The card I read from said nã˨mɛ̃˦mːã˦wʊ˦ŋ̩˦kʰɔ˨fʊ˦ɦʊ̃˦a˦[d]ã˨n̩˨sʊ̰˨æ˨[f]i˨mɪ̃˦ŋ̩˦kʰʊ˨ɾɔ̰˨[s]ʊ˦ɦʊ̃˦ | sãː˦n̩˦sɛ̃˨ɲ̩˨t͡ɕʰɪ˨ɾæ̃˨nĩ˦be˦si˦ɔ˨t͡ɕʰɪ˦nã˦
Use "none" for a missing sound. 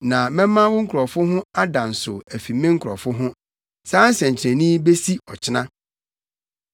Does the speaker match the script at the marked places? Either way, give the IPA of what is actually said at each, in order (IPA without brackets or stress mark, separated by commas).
d, f, f